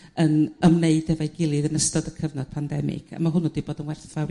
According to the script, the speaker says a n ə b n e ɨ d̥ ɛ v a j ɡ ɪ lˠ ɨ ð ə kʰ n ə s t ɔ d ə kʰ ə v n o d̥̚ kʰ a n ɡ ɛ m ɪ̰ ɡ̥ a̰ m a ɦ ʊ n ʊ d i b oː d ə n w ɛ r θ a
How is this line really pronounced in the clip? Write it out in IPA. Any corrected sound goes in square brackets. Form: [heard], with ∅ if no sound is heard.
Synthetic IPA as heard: [ə] n ə [m] n e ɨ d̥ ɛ v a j ɡ ɪ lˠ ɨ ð ə [∅] n ə s t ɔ d ə kʰ ə v n [ɔ] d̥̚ [pʰ] a n [d] ɛ m ɪ̰ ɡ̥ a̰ m a ɦ ʊ n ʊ d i b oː d ə n w ɛ r θ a